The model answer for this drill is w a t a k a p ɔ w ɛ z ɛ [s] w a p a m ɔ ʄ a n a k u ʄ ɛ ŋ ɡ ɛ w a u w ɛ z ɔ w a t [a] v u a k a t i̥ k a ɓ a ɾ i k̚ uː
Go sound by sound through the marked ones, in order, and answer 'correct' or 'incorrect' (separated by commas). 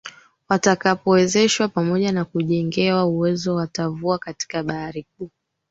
incorrect, correct